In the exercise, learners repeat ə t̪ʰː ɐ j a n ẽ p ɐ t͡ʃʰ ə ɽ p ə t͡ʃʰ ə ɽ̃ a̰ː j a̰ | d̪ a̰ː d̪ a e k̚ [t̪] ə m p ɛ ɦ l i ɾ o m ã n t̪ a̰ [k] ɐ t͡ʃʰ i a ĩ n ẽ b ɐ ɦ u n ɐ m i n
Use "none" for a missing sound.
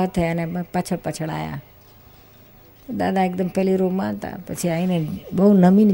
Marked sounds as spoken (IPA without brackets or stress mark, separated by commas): d̪, p